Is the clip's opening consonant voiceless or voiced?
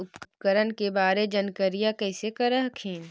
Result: voiceless